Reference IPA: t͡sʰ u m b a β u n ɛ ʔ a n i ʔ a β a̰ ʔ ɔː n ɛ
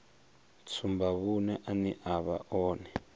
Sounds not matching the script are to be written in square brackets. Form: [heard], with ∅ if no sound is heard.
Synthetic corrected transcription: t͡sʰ u m b a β u n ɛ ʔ a n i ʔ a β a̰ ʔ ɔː n ɛ